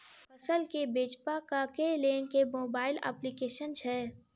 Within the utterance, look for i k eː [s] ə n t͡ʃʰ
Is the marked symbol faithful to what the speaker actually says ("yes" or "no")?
no